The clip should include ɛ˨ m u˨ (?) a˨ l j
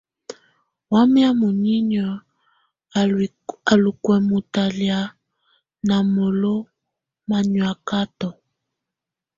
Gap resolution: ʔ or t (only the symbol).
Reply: t